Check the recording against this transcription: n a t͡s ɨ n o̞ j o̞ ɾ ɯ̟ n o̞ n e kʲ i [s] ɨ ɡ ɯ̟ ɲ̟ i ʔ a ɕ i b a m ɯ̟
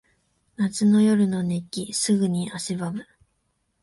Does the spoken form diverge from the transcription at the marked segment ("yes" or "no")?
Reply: no